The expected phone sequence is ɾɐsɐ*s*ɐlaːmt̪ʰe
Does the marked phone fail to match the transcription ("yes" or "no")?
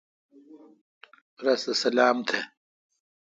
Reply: no